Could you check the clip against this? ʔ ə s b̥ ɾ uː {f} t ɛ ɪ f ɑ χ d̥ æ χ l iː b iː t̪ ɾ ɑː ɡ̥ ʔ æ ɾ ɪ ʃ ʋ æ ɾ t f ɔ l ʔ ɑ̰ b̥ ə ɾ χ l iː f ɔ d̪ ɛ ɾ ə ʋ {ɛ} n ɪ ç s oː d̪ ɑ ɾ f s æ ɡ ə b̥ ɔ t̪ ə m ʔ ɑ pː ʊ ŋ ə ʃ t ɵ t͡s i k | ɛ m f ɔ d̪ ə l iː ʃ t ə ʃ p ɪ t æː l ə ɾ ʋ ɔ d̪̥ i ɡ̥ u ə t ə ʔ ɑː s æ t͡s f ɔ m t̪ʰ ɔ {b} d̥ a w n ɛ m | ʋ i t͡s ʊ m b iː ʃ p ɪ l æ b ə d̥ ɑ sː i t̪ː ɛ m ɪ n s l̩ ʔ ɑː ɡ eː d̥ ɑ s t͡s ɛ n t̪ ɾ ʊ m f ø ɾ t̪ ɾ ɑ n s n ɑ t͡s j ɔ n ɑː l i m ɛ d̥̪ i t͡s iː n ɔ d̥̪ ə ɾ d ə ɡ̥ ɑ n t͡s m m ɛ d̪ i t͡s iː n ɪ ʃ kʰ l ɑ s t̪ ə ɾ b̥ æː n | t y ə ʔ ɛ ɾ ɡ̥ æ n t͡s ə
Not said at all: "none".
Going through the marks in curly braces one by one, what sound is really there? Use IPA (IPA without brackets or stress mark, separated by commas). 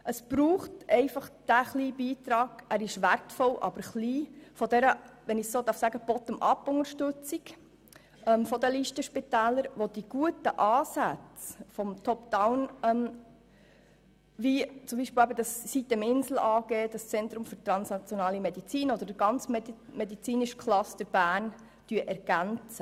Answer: χ, ɛ, p